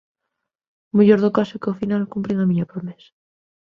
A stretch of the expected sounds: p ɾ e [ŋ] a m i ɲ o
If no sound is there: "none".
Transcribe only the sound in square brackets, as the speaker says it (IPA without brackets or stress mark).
ŋ